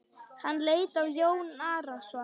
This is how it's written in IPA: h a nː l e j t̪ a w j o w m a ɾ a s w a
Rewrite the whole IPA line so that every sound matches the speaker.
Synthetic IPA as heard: h a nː l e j t̪ a w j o w n a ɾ a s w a